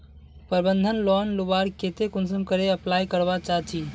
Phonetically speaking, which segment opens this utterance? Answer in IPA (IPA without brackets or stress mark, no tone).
p